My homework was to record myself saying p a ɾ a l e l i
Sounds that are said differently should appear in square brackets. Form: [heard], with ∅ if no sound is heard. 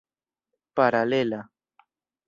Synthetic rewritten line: p a ɾ a l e l [a]